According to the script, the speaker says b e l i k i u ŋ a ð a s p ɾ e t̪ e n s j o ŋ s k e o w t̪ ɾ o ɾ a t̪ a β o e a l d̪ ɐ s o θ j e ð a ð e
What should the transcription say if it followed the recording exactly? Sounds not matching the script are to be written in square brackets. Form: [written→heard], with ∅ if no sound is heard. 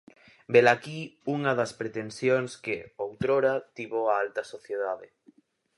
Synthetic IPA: b e l [i→a] k i u ŋ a ð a s p ɾ e t̪ e n s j o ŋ s k e o w t̪ ɾ o ɾ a t̪ [a→i] β o [e→a] a l [d̪→t̪] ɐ s o θ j e ð a ð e

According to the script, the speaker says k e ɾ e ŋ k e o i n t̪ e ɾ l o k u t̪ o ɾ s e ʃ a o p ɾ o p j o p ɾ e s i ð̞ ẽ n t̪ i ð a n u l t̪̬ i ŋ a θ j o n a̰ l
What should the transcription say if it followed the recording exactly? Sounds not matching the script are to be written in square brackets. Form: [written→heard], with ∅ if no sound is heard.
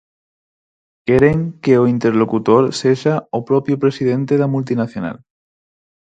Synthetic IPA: k e ɾ e ŋ k e o i n t̪ e ɾ l o k u t̪ o ɾ s e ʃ a o p ɾ o p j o p ɾ e s i ð̞ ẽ n t̪ [i→e] ð a [n→m] u l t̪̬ i [ŋ→n] a θ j o n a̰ l

